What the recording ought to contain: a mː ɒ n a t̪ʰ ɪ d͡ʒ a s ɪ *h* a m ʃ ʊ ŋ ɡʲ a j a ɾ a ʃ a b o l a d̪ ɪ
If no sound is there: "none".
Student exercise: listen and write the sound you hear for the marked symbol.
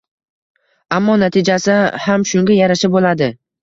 h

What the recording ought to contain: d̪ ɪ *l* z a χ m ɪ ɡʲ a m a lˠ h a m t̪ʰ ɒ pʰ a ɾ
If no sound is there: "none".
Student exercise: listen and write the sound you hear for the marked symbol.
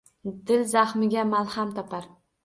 l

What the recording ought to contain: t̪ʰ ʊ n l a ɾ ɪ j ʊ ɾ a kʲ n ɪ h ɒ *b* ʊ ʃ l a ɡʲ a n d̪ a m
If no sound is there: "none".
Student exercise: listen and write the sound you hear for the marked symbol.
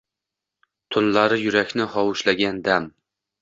w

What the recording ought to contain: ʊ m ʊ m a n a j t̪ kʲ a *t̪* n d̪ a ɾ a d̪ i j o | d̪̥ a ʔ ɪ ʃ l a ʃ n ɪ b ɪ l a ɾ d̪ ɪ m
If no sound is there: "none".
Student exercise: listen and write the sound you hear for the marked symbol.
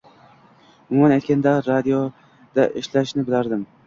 none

